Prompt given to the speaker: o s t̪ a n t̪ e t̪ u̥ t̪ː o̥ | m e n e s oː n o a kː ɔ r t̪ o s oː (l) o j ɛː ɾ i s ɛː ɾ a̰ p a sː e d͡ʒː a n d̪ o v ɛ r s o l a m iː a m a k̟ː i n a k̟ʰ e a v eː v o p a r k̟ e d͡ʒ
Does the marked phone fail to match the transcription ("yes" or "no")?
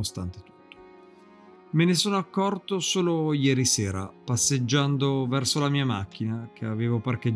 no